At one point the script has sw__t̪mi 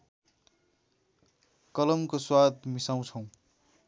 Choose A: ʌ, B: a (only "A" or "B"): B